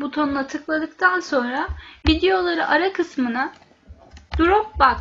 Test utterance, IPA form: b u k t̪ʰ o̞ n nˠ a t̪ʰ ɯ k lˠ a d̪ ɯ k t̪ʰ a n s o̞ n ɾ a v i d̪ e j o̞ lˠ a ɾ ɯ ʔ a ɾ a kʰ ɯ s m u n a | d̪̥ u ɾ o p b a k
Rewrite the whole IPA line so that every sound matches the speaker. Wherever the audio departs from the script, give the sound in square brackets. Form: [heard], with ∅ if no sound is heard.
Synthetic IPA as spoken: b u [∅] t̪ʰ o̞ n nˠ a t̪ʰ ɯ k lˠ a d̪ ɯ k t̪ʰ a n s o̞ n ɾ a v i d̪ e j o̞ lˠ a ɾ ɯ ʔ a ɾ a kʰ ɯ s m [ɯ] n a | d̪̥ u ɾ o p b a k

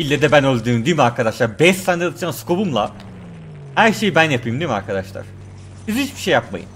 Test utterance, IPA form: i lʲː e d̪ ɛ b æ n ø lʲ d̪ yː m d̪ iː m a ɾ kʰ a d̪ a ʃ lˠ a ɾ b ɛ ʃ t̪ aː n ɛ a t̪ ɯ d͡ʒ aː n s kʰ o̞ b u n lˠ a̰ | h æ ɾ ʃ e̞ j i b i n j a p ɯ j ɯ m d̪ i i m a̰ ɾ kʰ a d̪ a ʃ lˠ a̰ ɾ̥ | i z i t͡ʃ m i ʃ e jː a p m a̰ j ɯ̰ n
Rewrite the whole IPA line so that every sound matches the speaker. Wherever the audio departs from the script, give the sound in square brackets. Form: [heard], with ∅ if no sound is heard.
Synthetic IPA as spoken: i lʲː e d̪ ɛ b æ n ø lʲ d̪ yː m d̪ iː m a ɾ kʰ a d̪ a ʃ lˠ a ɾ b ɛ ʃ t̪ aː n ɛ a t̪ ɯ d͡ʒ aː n s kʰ o̞ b u [m] lˠ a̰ | h æ ɾ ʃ e̞ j i b [æ] n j a p ɯ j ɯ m d̪ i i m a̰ ɾ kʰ a d̪ a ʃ lˠ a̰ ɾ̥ | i z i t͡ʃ [b] i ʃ e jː a p m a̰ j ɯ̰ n

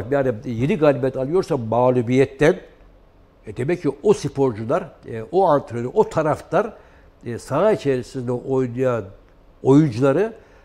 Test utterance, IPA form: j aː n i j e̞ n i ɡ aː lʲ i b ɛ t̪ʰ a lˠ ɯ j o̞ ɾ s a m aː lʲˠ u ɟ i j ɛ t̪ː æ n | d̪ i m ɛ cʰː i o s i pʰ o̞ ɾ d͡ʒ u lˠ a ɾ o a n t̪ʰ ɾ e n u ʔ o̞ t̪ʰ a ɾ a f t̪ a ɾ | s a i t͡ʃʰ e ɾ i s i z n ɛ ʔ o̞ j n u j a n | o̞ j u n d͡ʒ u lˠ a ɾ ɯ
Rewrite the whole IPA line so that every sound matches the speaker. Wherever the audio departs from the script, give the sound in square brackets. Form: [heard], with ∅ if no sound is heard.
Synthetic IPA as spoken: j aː n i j e̞ n i ɡ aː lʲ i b ɛ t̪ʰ a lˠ ɯ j o̞ ɾ s a m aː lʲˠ u [b] i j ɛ t̪ː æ n | d̪ [e] m ɛ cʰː i o s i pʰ o̞ ɾ d͡ʒ u lˠ a ɾ o a n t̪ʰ ɾ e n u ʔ o̞ t̪ʰ a ɾ a f t̪ a ɾ | s a i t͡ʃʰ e ɾ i s i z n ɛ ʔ o̞ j n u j a n | o̞ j u n d͡ʒ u lˠ a ɾ ɯ

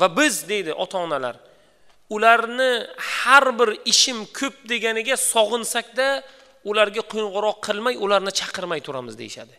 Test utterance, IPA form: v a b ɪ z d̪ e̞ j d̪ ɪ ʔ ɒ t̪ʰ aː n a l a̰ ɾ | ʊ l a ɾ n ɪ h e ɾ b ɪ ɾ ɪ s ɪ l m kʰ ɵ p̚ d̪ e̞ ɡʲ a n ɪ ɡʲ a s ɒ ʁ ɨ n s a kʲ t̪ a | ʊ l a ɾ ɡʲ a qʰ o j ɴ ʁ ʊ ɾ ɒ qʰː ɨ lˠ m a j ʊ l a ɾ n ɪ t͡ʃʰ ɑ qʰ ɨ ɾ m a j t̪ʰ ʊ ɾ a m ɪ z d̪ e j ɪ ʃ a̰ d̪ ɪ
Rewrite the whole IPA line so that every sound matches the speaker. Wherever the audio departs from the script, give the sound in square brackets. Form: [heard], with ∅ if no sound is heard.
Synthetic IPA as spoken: v a b ɪ z d̪ e̞ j d̪ ɪ ʔ ɒ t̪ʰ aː n a l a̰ ɾ | ʊ l a ɾ n ɪ h [a] ɾ b ɪ ɾ ɪ [ʃ] ɪ [∅] m kʰ ɵ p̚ d̪ e̞ ɡʲ a n ɪ ɡʲ a s ɒ ʁ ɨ n s a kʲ [d̪] a | ʊ l a ɾ ɡʲ a qʰ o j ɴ ʁ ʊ ɾ ɒ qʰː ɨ lˠ m a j ʊ l a ɾ n ɪ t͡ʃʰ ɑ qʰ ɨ ɾ m a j t̪ʰ ʊ ɾ a m ɪ z d̪ e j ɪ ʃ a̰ d̪ ɪ

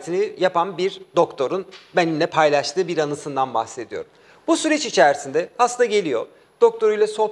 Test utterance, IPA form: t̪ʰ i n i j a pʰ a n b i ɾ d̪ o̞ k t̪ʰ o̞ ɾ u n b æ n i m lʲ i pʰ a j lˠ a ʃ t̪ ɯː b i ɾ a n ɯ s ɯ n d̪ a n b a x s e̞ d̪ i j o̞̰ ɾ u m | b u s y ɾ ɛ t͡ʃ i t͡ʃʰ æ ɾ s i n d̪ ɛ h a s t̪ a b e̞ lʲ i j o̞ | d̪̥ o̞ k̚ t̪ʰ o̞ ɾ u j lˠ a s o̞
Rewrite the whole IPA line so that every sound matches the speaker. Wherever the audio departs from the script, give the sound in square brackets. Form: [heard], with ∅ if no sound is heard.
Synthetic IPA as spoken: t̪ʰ i n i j a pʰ a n b i ɾ d̪ o̞ k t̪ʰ o̞ ɾ u n b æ n i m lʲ [ɛ] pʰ a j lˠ a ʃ t̪ ɯː b i ɾ a n ɯ s ɯ n d̪ a n b a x s e̞ d̪ i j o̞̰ ɾ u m | b u s y ɾ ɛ t͡ʃ i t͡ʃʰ æ ɾ s i n d̪ ɛ h a s t̪ a [ɟ] e̞ lʲ i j o̞ | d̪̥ o̞ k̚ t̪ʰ o̞ ɾ u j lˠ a s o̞

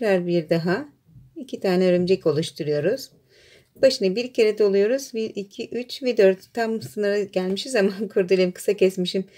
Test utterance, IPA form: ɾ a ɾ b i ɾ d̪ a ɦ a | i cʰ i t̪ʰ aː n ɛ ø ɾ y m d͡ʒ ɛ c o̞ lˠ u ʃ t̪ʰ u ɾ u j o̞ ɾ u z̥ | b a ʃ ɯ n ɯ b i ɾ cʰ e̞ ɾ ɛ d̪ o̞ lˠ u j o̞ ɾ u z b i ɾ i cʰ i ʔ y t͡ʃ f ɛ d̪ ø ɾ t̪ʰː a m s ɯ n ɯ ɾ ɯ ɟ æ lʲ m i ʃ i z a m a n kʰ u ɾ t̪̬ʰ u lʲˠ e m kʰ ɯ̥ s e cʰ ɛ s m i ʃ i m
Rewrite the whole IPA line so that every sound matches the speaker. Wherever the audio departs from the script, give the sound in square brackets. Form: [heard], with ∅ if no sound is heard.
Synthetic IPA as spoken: ɾ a ɾ b i ɾ d̪ a ɦ a | i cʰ i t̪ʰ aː n ɛ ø ɾ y m d͡ʒ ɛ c o̞ lˠ u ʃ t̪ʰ u ɾ u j o̞ ɾ u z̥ | b a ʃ ɯ n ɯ b i ɾ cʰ e̞ ɾ ɛ d̪ o̞ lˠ u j o̞ ɾ u z b i ɾ i cʰ i ʔ y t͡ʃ [v] ɛ d̪ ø ɾ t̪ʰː a m s ɯ n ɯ ɾ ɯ ɟ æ lʲ m i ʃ i z a m a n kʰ u ɾ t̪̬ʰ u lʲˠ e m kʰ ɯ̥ s [a] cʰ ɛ s m i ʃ i m

